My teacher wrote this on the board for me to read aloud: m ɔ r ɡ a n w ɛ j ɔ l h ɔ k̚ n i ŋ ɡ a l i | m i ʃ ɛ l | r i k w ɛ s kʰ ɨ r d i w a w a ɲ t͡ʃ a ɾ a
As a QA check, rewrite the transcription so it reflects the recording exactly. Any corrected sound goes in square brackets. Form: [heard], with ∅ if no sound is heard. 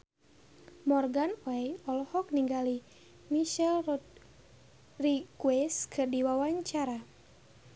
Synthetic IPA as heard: m ɔ r ɡ a n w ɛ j ɔ l h ɔ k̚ n i ŋ ɡ a l i | m i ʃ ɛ l | r i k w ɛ s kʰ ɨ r d i w a w a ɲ t͡ʃ a ɾ a